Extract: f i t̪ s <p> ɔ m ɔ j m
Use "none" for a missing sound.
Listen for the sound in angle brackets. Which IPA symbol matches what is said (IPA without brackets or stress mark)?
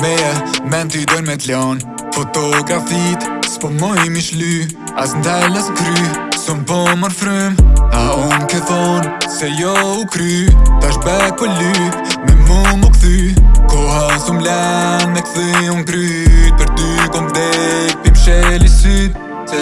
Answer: p